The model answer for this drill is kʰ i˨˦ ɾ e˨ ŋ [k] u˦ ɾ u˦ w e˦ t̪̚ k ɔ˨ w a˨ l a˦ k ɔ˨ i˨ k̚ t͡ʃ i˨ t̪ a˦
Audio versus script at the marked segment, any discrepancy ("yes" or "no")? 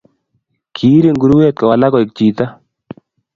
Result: yes